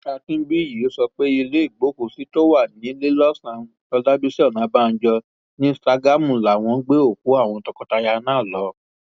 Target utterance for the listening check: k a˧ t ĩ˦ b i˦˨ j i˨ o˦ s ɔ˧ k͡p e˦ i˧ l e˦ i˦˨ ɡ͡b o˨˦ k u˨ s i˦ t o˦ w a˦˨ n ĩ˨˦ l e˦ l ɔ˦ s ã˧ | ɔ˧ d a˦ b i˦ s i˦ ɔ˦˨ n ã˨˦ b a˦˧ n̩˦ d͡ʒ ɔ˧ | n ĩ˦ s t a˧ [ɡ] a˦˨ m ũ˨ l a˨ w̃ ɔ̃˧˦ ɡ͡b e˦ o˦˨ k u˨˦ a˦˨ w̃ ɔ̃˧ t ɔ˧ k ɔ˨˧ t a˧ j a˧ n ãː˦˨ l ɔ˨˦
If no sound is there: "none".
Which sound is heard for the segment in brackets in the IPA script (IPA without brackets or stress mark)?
ɡ